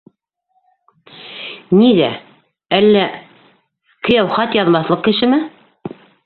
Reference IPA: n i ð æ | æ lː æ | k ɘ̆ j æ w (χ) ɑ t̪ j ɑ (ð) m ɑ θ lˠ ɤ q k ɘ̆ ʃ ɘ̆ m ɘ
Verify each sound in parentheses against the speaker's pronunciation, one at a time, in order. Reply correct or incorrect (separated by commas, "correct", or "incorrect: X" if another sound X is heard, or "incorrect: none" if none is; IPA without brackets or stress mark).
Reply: correct, correct